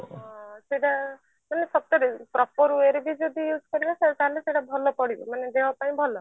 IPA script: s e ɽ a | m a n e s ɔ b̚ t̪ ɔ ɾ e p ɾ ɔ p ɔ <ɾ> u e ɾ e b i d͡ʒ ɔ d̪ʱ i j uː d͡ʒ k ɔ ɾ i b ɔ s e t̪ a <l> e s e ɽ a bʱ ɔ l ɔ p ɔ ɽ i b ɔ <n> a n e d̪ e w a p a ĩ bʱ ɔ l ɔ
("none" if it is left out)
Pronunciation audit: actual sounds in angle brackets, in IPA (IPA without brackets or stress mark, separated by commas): ɾ, l, m